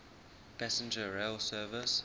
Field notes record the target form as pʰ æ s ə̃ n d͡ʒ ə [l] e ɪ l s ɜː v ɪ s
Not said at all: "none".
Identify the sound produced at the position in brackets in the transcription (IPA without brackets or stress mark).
ɹ